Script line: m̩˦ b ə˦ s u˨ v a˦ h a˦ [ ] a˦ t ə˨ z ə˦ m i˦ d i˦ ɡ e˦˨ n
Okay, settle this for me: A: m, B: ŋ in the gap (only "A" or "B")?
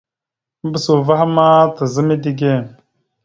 A